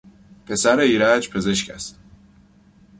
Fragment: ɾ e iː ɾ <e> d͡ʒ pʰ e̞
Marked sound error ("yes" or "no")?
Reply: yes